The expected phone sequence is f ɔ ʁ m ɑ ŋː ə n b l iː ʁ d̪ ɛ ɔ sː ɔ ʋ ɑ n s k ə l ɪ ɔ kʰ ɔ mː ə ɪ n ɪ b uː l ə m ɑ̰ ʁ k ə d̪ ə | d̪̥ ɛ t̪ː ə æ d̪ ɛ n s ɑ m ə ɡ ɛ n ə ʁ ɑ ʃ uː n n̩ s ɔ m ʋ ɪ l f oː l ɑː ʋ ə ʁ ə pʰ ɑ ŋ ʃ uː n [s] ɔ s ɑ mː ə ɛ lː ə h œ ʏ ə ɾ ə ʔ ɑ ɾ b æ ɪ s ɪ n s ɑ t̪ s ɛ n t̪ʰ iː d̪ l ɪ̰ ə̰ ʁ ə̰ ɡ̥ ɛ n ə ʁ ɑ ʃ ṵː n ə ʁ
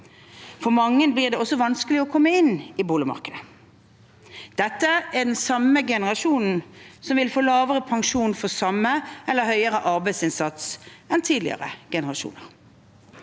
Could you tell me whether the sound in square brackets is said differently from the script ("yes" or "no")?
yes